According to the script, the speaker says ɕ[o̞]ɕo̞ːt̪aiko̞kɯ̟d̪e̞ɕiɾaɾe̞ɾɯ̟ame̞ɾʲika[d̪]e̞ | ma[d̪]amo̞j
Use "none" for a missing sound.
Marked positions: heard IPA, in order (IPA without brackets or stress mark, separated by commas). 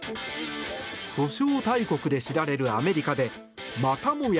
o̞, d̪, t̪